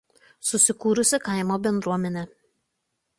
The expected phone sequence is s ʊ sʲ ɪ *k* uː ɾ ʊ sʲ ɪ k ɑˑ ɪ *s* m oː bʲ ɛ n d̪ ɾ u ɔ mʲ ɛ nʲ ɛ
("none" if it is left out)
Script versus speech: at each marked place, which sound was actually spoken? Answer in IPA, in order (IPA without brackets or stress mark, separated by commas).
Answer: k, none